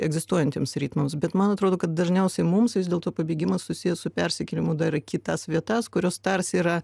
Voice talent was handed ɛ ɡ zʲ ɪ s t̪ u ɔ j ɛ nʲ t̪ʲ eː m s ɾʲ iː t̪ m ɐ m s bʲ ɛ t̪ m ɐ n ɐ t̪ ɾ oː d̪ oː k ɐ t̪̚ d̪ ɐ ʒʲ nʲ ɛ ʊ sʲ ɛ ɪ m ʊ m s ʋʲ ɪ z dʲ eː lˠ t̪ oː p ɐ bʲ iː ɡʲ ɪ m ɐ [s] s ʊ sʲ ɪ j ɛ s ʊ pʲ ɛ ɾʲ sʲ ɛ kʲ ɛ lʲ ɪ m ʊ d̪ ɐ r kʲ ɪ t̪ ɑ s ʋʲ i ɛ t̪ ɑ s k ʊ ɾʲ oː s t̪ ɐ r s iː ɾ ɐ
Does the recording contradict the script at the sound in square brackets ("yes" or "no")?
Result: no